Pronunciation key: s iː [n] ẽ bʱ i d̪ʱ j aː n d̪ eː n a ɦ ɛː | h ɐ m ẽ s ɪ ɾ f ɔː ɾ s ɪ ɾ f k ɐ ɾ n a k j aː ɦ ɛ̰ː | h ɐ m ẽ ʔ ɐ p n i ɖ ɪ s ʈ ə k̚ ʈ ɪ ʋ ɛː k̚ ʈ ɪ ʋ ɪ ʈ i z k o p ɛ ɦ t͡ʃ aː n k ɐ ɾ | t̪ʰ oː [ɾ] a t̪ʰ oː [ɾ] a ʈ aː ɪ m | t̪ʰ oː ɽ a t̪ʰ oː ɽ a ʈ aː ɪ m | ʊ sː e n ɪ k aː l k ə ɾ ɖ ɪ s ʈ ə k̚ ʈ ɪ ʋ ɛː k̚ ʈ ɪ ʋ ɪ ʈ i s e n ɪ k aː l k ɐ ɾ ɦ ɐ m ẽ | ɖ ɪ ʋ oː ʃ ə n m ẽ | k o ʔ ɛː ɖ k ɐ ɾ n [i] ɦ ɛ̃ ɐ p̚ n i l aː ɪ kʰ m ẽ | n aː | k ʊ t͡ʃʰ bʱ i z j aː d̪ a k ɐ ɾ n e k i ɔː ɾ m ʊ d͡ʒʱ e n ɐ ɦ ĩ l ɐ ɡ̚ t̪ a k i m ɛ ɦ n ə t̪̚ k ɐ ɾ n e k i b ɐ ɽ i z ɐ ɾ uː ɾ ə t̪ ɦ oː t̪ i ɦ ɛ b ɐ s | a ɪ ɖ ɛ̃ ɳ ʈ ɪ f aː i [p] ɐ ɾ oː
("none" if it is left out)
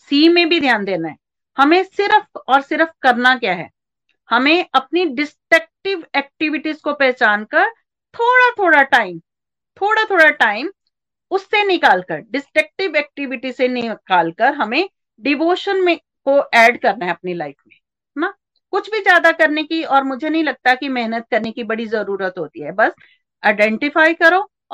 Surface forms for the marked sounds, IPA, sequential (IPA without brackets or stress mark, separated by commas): m, ɽ, ɽ, a, k